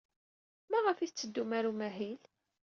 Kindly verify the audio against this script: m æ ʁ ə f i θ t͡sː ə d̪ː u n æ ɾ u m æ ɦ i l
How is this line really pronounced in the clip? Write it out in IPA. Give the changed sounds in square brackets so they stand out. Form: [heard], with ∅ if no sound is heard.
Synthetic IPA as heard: m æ ʁ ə f i θ t͡sː ə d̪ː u [m] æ ɾ u m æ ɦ i l

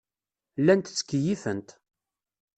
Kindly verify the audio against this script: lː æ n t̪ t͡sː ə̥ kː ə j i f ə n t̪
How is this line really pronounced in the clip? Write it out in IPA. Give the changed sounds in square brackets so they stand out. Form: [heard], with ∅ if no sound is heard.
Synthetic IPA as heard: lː æ n t̪ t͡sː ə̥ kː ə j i f ə n t̪

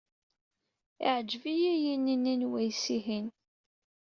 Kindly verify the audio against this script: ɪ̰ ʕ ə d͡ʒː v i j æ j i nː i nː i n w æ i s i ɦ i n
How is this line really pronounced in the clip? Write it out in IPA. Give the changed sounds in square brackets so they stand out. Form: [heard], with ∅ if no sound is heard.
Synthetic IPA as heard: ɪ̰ ʕ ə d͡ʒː v i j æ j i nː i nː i n w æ [j] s i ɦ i n

